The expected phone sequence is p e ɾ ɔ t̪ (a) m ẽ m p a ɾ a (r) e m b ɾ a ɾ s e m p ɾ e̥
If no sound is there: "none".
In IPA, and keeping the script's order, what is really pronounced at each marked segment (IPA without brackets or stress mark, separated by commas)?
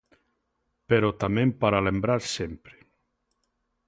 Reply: a, l